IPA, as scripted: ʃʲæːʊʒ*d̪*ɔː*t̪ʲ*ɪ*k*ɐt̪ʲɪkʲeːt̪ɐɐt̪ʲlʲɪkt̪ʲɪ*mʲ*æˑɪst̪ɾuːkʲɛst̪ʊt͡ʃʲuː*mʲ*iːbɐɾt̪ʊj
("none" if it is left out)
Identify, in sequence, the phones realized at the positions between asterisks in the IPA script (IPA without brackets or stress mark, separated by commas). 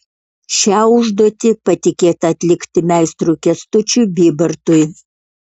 d̪, t̪ʲ, p, mʲ, bʲ